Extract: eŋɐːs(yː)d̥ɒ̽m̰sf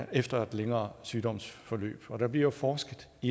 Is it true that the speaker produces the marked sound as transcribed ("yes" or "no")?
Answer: yes